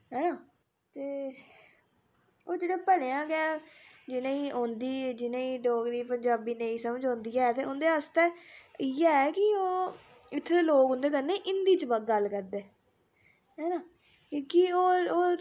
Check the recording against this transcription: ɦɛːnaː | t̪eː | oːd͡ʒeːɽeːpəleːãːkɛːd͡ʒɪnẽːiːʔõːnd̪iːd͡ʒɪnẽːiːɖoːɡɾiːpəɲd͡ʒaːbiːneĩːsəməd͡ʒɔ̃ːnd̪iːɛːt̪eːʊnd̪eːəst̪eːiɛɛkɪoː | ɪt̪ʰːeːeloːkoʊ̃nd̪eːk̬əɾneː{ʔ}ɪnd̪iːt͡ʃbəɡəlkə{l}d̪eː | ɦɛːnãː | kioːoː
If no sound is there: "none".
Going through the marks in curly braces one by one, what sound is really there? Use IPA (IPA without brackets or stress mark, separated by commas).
ʔ, ɾ